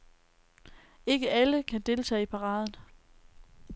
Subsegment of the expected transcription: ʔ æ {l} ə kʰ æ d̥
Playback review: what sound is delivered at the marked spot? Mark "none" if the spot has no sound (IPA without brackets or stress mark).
l